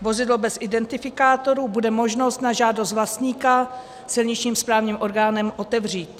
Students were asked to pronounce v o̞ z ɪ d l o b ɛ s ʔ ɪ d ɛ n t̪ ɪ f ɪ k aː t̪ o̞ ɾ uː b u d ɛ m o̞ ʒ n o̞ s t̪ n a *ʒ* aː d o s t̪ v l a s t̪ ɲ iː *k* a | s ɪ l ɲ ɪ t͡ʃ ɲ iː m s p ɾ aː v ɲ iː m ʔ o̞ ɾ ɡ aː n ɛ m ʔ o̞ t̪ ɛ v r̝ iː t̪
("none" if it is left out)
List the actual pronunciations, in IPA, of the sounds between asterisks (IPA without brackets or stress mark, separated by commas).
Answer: ʒ, k